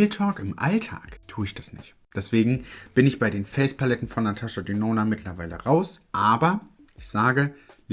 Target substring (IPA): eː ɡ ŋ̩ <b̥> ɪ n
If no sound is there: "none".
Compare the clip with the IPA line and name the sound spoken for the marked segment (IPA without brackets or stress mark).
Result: b̥